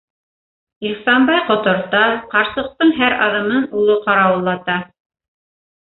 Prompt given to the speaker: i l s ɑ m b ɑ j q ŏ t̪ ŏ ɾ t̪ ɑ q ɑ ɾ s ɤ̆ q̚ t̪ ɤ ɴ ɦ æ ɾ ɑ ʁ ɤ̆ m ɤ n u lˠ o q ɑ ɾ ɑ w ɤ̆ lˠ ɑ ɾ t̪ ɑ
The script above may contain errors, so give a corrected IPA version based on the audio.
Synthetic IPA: i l s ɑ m b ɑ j q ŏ t̪ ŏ ɾ t̪ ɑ q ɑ ɾ s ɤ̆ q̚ t̪ ɤ ɴ ɦ æ ɾ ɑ ð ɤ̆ m ɤ n u lˠ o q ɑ ɾ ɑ w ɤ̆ lˠː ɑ t̪ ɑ